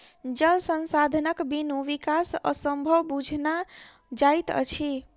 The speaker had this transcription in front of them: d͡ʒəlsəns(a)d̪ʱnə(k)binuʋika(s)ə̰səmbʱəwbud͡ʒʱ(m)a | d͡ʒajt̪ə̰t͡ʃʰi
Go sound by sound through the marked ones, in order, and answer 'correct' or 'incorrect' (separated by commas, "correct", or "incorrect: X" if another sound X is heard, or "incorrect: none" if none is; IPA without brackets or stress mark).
correct, correct, correct, incorrect: n